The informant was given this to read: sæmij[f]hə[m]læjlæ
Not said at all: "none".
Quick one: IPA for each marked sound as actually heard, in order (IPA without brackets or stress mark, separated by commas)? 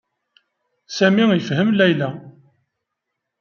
f, m